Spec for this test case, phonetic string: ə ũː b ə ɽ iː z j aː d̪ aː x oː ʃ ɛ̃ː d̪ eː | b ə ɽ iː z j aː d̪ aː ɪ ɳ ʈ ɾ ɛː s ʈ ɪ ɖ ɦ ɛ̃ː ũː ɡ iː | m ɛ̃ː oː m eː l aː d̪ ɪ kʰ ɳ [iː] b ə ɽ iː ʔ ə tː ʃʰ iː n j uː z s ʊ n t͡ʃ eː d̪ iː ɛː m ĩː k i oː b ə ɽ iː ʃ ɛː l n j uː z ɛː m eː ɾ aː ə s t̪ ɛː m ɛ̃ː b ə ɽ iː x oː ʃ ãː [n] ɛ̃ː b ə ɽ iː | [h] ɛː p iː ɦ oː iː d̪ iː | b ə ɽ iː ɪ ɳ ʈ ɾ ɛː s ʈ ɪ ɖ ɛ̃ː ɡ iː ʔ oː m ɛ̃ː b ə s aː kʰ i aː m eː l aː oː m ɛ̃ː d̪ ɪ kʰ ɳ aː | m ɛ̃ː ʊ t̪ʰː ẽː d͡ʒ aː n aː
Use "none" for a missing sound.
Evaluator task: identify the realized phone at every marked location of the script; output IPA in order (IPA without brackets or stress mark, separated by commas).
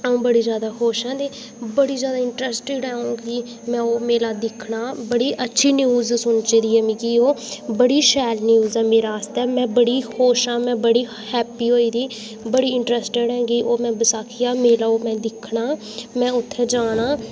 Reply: aː, m, h